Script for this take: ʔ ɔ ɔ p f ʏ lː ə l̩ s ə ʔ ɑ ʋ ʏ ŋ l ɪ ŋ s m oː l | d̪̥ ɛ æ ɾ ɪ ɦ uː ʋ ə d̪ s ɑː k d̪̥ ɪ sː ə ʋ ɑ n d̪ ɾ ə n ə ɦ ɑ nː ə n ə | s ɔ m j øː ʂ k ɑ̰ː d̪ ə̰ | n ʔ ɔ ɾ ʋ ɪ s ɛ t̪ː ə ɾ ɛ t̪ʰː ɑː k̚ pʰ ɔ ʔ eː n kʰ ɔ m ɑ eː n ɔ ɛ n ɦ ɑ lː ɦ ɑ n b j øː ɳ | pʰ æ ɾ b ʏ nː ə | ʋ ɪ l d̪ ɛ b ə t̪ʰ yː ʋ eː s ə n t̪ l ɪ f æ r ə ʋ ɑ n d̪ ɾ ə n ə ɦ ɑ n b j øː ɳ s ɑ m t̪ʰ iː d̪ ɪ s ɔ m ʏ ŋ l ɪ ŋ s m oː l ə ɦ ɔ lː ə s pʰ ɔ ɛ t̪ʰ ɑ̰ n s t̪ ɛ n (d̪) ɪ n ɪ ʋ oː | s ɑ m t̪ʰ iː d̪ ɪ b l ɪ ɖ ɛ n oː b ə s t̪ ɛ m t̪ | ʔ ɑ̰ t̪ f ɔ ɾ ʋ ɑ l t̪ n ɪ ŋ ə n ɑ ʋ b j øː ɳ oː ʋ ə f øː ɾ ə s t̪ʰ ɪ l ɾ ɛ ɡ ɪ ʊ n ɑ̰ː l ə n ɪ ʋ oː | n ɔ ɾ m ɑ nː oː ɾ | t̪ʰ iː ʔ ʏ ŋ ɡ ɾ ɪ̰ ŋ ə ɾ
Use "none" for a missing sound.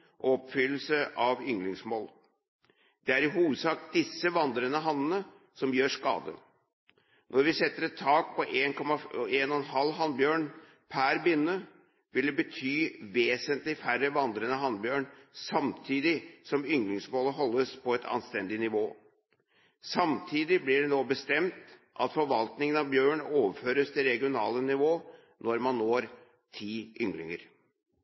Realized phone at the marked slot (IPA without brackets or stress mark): d̪